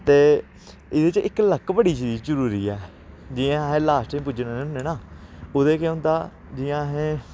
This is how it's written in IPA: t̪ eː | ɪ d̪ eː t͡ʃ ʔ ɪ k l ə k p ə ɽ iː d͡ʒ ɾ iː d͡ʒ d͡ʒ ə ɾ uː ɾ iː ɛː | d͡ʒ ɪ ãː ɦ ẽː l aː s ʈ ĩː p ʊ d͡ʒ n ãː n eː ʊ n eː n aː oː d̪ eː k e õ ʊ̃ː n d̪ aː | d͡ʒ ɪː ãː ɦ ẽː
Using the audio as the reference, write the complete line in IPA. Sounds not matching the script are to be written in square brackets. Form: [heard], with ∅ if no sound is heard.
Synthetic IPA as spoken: t̪ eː | ɪ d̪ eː t͡ʃ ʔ ɪ k l ə k [b] ə ɽ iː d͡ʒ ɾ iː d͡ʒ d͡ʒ ə ɾ uː ɾ iː ɛː | d͡ʒ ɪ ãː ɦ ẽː l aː s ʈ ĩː p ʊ d͡ʒ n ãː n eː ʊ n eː n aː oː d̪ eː k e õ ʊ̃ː n d̪ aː | d͡ʒ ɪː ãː ɦ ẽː